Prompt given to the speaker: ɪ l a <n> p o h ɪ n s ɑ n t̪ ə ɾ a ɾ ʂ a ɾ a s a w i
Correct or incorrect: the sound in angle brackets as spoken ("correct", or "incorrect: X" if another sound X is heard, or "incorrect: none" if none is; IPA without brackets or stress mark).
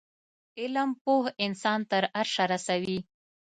incorrect: m